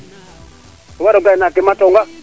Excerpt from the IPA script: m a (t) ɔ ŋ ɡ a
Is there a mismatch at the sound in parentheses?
no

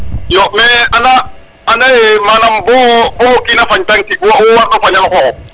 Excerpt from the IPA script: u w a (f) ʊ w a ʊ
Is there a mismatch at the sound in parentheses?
yes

